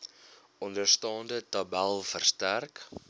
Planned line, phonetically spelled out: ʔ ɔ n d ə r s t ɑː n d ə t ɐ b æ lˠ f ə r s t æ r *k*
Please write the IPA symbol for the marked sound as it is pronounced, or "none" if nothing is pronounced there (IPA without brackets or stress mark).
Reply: k